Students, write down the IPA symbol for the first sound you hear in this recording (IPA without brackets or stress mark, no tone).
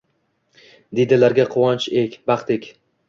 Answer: d̪